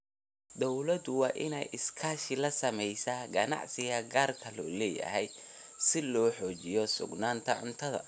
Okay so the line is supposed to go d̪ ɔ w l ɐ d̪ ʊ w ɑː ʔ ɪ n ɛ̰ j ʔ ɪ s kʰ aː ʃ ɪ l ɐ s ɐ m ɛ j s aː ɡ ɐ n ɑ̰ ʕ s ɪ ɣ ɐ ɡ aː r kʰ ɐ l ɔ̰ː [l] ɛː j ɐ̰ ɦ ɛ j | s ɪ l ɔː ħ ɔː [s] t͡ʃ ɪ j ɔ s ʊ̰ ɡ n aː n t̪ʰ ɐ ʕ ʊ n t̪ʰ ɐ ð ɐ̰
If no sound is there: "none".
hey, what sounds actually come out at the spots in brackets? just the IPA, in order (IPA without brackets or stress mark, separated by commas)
l, none